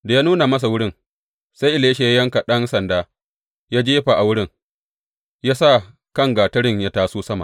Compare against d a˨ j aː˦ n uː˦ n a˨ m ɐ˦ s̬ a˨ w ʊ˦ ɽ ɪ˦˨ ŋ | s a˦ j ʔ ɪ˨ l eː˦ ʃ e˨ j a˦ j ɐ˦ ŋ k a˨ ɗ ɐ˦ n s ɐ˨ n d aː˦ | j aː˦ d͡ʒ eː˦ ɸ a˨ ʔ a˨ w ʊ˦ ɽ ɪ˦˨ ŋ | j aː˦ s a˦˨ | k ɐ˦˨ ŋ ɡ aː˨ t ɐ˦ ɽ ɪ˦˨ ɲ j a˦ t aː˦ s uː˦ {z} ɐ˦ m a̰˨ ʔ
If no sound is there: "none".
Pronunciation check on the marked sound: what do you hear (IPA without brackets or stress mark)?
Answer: s